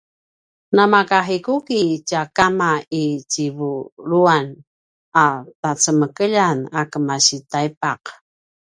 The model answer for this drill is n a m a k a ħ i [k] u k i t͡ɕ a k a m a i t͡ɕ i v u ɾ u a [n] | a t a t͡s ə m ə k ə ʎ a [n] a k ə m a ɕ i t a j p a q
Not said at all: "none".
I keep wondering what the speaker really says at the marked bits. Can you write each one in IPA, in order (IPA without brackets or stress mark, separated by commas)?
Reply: k, n, n